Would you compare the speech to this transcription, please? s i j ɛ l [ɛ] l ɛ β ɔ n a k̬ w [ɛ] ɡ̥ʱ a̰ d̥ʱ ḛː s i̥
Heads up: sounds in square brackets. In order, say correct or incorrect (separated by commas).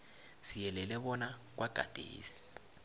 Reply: correct, incorrect